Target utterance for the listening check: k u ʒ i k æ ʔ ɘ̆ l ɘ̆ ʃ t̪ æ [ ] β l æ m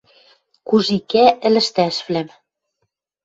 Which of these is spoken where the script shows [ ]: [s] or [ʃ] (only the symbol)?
ʃ